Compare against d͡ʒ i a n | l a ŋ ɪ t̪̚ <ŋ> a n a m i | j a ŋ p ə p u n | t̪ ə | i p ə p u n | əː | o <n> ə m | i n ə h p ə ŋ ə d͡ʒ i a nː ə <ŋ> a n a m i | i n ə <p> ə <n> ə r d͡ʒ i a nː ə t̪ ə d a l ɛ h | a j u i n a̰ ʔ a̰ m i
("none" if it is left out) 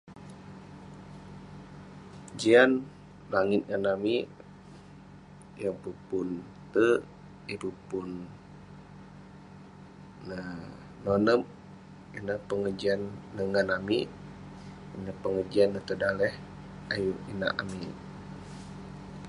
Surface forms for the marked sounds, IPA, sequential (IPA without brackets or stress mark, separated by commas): ŋ, n, ŋ, p, ŋ